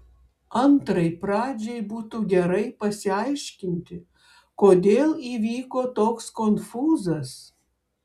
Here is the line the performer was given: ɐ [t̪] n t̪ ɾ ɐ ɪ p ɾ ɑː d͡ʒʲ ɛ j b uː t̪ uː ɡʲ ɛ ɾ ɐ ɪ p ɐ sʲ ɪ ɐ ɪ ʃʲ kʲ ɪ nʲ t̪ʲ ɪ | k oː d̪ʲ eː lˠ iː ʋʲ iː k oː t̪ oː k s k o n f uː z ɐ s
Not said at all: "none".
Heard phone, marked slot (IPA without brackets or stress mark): none